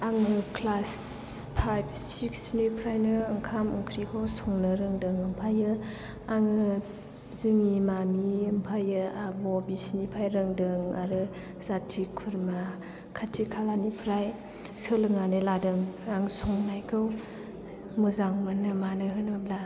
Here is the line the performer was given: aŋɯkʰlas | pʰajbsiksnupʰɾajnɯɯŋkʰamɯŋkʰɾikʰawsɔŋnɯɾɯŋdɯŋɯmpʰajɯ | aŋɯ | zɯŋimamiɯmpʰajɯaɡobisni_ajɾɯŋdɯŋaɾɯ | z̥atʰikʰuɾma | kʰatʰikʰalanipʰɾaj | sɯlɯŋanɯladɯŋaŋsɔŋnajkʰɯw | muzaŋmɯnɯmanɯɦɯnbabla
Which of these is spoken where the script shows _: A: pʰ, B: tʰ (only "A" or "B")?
A